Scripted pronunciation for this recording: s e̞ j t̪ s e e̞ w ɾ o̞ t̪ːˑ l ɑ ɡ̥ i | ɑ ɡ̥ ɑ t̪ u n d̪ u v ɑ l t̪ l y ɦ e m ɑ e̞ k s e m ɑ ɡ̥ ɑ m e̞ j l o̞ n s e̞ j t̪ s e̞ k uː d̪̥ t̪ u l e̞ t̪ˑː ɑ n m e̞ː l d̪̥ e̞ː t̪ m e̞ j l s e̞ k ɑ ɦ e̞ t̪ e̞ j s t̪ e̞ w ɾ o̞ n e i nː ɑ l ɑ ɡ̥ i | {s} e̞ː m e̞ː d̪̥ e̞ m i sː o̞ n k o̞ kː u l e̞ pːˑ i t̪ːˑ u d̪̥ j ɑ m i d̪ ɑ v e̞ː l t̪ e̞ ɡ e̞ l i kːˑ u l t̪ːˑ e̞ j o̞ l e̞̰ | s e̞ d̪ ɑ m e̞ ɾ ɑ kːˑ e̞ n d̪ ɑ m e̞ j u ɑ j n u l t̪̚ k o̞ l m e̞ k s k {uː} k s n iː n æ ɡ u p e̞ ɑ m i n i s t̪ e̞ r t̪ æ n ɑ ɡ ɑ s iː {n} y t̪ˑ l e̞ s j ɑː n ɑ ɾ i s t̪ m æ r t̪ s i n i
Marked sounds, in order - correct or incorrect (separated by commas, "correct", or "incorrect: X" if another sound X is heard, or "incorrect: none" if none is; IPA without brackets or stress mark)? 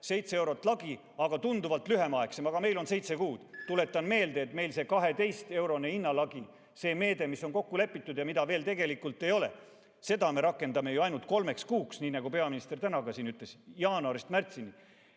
correct, correct, correct